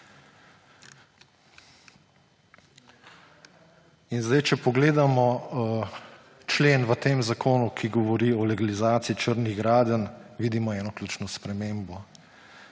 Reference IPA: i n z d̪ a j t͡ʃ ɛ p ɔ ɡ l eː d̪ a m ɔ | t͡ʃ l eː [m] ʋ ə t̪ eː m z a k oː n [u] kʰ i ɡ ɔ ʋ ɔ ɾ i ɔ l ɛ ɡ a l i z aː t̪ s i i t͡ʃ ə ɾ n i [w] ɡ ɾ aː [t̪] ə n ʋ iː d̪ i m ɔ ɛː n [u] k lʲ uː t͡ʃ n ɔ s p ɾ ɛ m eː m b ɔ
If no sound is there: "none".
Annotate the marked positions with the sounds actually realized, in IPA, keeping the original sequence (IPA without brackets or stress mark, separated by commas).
n, u, ɣ, d̪, ɔ